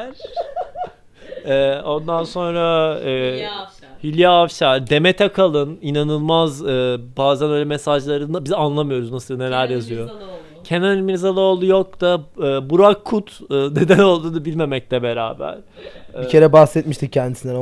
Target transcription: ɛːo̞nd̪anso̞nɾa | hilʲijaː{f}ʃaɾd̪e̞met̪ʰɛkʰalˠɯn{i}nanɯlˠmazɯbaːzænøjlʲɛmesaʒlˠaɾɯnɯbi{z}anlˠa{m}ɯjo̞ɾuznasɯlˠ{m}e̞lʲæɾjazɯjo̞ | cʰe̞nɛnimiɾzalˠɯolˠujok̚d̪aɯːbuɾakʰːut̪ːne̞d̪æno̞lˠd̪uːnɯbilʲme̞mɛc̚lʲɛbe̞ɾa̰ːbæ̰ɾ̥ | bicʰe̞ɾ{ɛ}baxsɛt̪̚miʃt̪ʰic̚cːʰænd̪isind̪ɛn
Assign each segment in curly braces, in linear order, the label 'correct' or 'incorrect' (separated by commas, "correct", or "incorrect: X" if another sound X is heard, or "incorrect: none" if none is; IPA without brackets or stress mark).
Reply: correct, correct, correct, correct, incorrect: n, correct